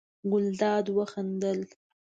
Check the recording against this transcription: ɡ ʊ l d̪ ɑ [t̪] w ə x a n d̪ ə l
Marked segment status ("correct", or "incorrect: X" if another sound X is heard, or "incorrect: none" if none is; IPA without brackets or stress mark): incorrect: d̪